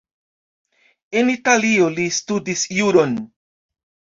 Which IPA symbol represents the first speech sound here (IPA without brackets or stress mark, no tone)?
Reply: e̞